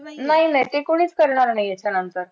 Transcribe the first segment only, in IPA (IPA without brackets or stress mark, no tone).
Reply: n